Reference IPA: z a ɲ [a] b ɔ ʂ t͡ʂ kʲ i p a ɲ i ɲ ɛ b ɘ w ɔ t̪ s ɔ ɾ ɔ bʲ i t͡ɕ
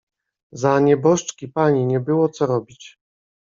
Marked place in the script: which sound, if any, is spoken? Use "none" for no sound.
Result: ɛ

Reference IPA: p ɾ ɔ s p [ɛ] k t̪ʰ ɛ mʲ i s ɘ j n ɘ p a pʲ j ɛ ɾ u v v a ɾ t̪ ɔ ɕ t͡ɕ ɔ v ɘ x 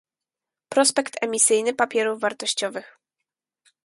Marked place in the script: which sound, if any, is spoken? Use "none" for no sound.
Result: ɛ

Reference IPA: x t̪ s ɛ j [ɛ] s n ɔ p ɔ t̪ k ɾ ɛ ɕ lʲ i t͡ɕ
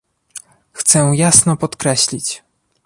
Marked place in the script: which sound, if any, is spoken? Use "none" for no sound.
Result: a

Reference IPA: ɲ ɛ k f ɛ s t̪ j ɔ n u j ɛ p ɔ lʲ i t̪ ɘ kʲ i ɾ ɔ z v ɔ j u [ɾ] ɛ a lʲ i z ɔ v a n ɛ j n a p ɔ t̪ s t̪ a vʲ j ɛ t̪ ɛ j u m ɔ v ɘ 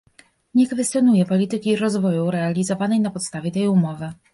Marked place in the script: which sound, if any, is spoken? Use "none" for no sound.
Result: ɾ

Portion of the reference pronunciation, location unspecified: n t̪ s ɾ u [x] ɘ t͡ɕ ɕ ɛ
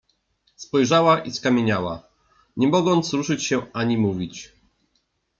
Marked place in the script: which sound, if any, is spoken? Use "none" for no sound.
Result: ʂ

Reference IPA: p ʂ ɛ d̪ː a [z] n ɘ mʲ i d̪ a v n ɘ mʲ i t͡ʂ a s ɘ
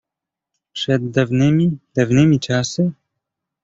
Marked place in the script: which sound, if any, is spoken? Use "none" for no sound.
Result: v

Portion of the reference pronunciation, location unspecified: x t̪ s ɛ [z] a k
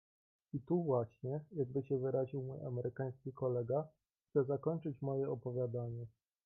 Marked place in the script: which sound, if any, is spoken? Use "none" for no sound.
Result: z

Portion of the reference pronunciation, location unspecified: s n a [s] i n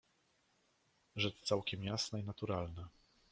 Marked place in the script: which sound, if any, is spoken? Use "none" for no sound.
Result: none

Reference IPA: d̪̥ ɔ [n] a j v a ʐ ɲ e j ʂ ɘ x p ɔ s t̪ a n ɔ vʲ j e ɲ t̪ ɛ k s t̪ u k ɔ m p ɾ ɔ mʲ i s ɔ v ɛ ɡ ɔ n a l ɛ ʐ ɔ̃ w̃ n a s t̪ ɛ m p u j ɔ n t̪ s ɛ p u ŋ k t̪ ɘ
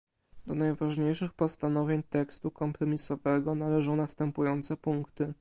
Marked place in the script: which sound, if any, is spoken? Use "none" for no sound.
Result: n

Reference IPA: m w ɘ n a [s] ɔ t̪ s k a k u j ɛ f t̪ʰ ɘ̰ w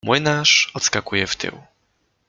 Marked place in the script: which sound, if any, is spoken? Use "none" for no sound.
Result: ʂ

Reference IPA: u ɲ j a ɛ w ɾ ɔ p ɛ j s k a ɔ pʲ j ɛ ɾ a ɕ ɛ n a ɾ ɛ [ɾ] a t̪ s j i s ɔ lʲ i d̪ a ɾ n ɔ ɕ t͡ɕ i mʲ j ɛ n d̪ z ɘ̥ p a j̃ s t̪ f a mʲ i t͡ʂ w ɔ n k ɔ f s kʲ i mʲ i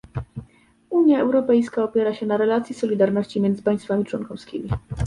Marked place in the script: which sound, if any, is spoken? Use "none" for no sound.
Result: l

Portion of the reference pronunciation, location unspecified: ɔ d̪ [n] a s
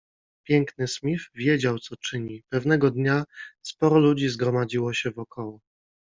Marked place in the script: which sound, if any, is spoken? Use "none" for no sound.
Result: ɲ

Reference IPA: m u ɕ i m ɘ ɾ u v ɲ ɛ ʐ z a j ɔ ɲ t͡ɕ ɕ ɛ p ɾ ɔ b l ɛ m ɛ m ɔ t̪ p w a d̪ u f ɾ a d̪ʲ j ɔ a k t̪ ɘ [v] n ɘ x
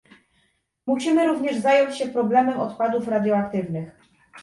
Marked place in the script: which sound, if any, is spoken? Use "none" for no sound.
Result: v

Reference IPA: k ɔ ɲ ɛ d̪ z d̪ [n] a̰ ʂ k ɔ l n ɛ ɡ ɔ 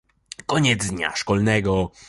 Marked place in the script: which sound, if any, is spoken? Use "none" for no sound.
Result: ɲ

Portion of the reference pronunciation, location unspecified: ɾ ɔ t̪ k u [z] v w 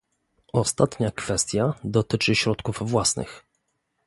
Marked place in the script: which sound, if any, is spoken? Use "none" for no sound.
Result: v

